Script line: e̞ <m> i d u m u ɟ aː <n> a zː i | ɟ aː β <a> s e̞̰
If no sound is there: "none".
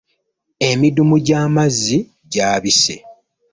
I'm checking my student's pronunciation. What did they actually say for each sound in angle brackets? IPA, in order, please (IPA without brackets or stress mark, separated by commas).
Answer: m, m, i